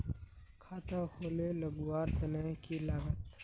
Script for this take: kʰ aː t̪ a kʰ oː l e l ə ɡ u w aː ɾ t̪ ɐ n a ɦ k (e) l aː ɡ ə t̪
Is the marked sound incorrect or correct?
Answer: incorrect